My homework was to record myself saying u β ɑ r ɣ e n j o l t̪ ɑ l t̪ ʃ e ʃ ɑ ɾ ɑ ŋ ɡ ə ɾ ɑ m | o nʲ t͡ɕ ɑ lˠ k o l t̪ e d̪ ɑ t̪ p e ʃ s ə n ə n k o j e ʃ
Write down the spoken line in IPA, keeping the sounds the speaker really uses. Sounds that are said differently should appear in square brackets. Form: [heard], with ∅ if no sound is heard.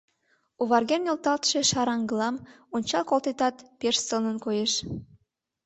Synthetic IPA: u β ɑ r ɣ e n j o l t̪ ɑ l t̪ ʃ e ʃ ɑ ɾ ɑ ŋ ɡ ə [l] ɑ m | o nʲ t͡ɕ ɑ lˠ k o l t̪ e [t̪] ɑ t̪ p e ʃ s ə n ə n k o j e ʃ